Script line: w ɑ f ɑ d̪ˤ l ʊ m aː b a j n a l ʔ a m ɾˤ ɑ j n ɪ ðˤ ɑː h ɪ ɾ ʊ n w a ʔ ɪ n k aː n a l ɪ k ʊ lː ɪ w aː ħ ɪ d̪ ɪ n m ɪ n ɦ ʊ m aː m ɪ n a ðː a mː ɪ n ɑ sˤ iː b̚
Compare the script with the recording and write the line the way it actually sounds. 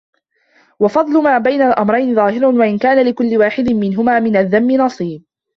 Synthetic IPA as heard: w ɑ f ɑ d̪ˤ l ʊ m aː b a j n a l ʔ a m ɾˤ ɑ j n ɪ ðˤ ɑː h ɪ ɾ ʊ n w a ʔ ɪ n k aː n a l ɪ k ʊ lː ɪ w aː ħ ɪ d̪ ɪ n m ɪ n ɦ ʊ m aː m ɪ n a ðː a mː ɪ n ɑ sˤ iː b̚